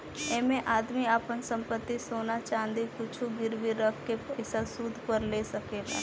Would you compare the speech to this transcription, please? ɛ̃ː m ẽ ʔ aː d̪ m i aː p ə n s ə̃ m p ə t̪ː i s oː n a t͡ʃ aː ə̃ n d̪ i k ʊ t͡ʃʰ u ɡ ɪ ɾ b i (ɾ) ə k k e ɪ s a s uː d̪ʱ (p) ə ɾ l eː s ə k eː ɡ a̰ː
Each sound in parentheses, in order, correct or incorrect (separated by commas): correct, correct